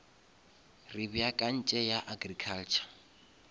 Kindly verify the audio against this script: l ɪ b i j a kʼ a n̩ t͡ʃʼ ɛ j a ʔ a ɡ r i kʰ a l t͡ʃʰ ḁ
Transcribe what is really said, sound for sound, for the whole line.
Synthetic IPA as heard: r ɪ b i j a kʼ a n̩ t͡ʃʼ ɛ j a ʔ a ɡ r i kʰ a l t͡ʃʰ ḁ